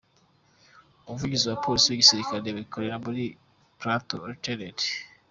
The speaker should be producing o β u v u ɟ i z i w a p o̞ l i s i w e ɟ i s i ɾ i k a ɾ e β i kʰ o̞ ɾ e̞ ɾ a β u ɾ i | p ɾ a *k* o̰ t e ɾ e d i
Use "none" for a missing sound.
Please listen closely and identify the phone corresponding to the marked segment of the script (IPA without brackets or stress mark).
t